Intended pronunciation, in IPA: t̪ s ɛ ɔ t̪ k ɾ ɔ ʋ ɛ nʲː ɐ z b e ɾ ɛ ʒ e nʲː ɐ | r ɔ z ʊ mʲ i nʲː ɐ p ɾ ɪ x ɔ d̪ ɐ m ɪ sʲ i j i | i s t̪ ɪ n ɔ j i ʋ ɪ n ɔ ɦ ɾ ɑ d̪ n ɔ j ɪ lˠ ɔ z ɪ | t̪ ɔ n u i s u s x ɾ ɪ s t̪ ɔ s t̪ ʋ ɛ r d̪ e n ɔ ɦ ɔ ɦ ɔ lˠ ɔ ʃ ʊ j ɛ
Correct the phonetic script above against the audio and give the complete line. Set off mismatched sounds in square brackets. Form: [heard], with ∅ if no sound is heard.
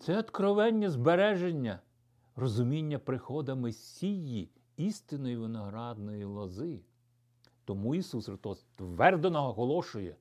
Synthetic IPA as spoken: t̪ s ɛ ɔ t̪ k ɾ ɔ ʋ ɛ nʲː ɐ z b e ɾ ɛ ʒ e nʲː ɐ | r ɔ z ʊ mʲ i nʲː ɐ p ɾ ɪ x ɔ d̪ ɐ m ɪ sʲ i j i | i s t̪ ɪ n ɔ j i ʋ ɪ n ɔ ɦ ɾ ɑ d̪ n ɔ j [i] lˠ ɔ z ɪ | t̪ ɔ [m] u i s u s x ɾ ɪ s t̪ ɔ s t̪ ʋ ɛ r d̪ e n ɔ ɦ ɔ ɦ ɔ lˠ ɔ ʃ ʊ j ɛ